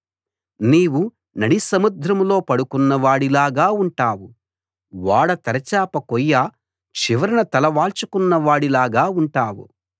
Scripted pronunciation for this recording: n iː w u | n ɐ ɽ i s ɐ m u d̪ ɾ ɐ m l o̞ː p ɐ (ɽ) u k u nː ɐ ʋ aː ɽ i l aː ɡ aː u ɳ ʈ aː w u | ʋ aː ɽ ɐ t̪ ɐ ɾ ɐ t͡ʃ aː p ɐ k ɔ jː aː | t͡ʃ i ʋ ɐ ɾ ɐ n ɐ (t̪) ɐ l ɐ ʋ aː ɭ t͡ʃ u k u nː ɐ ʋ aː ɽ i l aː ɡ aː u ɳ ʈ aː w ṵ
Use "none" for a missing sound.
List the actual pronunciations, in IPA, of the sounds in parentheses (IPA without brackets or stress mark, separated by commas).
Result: ɽ, t̪